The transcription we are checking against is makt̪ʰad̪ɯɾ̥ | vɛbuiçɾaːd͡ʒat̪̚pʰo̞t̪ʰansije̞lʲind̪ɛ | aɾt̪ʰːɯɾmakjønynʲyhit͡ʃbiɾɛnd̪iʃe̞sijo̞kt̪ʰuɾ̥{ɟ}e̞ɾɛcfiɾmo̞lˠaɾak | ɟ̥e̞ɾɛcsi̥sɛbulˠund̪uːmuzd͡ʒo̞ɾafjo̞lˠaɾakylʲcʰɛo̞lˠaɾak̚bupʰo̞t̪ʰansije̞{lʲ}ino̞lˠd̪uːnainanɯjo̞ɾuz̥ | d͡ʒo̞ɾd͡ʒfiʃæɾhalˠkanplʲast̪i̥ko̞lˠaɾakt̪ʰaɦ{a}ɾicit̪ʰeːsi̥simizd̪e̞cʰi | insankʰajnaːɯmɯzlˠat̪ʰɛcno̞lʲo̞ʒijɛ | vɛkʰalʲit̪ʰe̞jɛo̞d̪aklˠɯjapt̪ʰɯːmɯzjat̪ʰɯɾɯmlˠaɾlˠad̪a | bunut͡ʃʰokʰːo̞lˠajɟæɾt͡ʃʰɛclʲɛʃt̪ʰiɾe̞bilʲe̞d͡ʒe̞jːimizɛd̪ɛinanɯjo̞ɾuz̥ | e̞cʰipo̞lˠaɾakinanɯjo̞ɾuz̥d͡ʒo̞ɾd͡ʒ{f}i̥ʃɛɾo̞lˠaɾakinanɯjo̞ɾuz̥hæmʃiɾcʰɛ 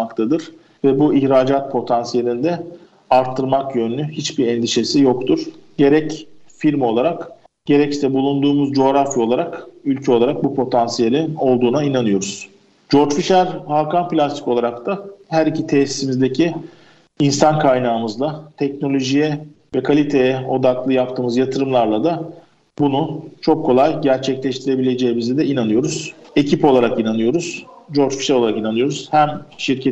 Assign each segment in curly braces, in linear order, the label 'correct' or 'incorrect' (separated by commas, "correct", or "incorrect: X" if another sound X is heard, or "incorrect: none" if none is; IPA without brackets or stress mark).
correct, correct, incorrect: æ, correct